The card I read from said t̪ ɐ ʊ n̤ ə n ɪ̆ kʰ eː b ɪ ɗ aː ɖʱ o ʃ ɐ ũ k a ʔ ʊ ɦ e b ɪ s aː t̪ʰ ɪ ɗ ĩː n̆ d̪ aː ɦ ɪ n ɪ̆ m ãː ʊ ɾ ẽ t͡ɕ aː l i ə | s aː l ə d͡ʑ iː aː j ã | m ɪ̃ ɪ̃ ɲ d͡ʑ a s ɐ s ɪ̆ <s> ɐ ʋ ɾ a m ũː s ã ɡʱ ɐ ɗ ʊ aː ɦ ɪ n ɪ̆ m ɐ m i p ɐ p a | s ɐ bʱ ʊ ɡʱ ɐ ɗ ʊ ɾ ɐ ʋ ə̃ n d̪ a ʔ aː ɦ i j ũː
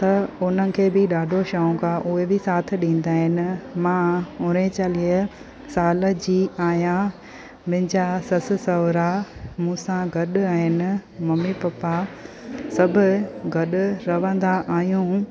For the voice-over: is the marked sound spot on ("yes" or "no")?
yes